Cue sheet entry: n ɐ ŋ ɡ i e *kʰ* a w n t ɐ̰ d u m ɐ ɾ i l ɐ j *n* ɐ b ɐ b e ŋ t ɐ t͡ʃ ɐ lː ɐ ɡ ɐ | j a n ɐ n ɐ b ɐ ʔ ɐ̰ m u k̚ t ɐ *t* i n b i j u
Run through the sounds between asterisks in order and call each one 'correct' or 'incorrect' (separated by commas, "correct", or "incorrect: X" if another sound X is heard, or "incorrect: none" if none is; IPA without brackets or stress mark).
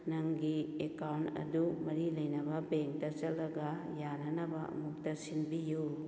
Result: incorrect: k, correct, incorrect: s